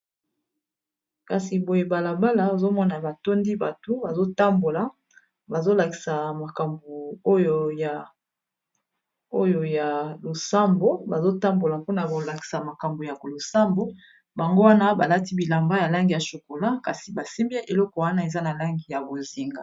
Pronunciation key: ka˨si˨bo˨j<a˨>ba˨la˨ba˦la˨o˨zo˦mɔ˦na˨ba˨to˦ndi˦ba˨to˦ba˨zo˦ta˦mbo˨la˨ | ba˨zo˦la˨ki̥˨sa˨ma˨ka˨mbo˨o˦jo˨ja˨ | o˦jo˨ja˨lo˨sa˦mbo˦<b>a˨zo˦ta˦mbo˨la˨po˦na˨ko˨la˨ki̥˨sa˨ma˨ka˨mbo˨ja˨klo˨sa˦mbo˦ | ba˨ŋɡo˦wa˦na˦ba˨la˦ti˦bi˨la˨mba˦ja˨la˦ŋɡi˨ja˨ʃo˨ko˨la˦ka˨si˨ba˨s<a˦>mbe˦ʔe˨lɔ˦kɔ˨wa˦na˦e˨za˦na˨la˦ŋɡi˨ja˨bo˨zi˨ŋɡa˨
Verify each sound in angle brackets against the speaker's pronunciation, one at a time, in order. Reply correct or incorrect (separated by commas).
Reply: incorrect, correct, incorrect